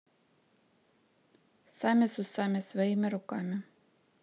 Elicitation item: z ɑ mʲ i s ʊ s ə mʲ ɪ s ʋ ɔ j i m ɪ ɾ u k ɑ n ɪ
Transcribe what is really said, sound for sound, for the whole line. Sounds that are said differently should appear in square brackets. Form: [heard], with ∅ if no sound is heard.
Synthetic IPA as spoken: [s] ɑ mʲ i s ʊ s [ɑ] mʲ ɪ s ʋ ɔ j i m ɪ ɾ [ʊ] k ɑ [m] ɪ